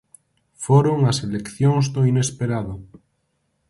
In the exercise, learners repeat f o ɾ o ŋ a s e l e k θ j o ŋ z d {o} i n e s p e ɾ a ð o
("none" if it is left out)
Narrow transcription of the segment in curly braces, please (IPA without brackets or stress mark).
o